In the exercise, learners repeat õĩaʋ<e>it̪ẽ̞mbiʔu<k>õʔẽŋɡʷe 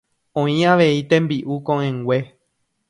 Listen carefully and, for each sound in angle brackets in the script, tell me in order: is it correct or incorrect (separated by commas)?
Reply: correct, correct